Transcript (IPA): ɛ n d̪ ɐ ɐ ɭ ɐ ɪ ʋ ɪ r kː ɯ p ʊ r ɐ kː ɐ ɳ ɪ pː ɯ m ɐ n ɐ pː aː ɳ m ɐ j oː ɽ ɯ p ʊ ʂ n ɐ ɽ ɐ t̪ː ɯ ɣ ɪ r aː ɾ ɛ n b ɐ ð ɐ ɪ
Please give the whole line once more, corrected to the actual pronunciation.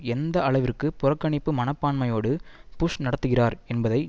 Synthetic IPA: ɛ n d̪ ɐ ɐ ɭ ɐ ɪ ʋ ɪ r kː ɯ p ʊ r ɐ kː ɐ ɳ ɪ pː ɯ m ɐ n ɐ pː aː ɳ m ɐ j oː ɽ ɯ p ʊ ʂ n ɐ ɽ ɐ t̪ː ɯ ɣ ɪ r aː ɾ ɛ n b ɐ ð ɐ ɪ